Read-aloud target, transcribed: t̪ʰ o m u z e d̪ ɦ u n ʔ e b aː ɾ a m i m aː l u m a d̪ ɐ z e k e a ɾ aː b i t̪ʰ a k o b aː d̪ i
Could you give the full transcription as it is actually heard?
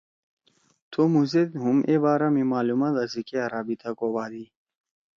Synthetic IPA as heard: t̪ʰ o m u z e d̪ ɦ u m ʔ e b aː ɾ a m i m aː l u m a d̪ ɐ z i k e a ɾ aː b i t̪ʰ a k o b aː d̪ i